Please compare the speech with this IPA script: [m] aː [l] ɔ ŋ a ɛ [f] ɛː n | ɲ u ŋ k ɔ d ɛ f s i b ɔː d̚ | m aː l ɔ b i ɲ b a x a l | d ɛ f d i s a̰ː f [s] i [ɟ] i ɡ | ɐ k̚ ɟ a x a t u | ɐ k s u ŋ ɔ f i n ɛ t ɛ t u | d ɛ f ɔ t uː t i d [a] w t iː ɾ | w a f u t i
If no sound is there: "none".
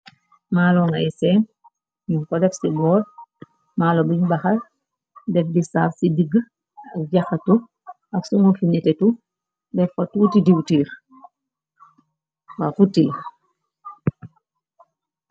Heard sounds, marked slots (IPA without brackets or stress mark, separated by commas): m, l, s, s, d, i